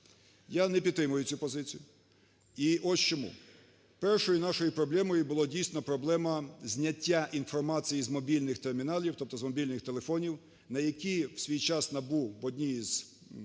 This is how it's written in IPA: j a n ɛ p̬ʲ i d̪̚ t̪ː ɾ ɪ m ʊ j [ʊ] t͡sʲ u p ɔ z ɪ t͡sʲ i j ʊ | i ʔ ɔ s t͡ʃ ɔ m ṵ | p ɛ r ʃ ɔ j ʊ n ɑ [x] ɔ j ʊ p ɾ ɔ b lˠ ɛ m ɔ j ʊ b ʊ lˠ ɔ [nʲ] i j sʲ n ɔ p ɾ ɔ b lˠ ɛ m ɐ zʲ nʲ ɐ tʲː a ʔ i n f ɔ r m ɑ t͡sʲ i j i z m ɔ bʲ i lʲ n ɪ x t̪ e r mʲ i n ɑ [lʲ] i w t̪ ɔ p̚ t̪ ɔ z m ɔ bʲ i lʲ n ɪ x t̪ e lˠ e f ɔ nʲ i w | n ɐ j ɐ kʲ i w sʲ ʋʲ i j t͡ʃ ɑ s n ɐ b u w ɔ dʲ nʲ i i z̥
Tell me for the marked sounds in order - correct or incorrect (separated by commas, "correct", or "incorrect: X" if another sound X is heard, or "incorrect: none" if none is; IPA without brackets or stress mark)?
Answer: correct, incorrect: ʃ, incorrect: dʲ, correct